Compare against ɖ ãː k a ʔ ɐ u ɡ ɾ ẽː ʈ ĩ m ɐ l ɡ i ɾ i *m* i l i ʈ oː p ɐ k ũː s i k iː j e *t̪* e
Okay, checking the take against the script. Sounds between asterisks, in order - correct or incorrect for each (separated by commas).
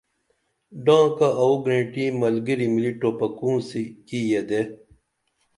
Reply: correct, incorrect